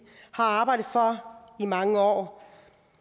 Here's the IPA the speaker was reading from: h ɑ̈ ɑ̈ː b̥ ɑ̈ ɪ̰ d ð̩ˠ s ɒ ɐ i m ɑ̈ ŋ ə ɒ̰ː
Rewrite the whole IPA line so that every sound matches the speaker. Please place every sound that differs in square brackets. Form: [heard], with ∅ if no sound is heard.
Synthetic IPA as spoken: h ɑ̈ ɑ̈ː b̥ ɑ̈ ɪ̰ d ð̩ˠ [f] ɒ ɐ i m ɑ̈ ŋ ə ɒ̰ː